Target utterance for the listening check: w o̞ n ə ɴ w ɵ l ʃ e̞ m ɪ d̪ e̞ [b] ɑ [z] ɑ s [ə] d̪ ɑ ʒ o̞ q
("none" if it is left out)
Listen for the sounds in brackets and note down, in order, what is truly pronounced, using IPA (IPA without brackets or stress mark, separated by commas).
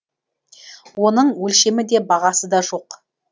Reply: b, ʁ, ə